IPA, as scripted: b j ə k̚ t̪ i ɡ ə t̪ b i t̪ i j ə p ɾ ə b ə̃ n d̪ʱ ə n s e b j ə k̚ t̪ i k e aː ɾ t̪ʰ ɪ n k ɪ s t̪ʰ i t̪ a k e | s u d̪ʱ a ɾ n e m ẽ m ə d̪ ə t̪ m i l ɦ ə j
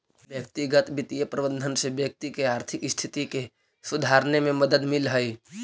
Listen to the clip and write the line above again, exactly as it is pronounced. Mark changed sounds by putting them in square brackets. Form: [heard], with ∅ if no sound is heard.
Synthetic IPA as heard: b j ə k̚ t̪ i ɡ ə t̪ b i t̪ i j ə p ɾ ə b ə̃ n d̪ʱ ə n s e b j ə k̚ t̪ i k e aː ɾ t̪ʰ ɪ [∅] k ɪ s t̪ʰ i t̪ [i] k e | s u d̪ʱ a ɾ n e m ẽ m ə d̪ ə [d̪] m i l ɦ ə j